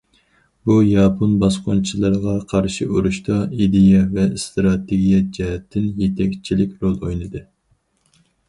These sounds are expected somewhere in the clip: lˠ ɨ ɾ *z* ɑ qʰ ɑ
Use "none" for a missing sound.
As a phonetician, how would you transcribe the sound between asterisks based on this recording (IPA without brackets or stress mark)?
ʁ